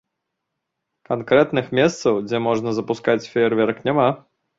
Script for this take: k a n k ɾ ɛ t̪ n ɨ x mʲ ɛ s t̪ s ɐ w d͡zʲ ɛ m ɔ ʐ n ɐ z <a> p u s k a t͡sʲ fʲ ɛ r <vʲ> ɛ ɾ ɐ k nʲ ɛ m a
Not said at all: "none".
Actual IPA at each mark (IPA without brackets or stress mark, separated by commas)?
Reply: ɐ, vʲ